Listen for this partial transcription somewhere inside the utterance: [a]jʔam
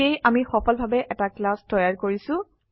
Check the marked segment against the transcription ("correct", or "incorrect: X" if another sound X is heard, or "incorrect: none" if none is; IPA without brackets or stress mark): incorrect: e